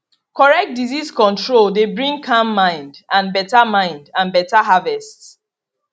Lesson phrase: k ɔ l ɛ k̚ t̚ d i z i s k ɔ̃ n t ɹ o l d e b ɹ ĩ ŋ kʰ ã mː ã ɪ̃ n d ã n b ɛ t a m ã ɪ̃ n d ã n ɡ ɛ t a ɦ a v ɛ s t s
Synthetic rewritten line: k ɔ ɹ ɛ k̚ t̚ d i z i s k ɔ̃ n t ɹ o l d e b ɹ ĩ ŋ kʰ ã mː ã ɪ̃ n d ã n b ɛ t a m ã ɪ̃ n d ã n b ɛ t a ɦ a v ɛ s t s